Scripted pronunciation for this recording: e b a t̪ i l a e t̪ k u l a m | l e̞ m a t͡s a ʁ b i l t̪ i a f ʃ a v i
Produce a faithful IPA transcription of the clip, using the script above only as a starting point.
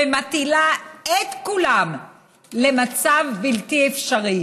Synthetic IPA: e m a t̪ i l a e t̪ k u l a m | l e̞ m a t͡s a v b i l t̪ i e f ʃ a ʁ i